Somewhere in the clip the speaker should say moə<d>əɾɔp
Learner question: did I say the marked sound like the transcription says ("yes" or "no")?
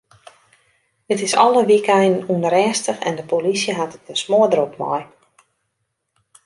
yes